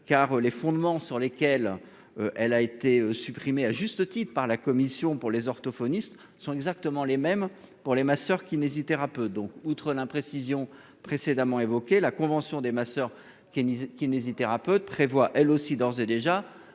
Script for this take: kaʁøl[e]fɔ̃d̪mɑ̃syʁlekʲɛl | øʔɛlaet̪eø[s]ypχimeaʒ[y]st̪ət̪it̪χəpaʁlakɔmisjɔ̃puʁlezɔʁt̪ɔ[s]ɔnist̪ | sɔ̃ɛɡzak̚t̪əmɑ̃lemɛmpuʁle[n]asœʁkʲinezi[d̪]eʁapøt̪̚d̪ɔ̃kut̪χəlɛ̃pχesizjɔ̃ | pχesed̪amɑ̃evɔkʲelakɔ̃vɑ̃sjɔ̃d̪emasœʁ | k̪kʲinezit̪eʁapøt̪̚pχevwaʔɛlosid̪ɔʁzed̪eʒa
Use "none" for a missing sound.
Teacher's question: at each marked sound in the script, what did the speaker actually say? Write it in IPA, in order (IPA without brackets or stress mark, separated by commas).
e, s, y, f, m, t̪